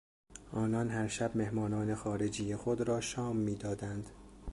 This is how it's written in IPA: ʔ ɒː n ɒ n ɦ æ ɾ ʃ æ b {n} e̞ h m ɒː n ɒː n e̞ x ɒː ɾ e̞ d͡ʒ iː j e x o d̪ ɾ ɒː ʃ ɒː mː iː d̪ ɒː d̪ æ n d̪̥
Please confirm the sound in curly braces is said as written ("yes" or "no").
no